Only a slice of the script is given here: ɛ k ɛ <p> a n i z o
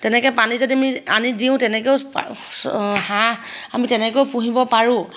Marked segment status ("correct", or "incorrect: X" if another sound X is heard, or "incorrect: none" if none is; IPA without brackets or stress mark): correct